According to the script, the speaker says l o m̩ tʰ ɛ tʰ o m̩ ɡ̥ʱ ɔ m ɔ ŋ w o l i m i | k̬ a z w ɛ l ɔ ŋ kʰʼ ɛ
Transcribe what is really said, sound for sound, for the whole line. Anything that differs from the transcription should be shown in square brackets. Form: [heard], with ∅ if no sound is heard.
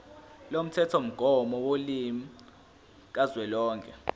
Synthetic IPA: l o m̩ tʰ ɛ tʰ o m̩ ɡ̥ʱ ɔ m ɔ [∅] w o l i m i | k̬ a z w ɛ l [ɔː] ŋ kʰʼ ɛ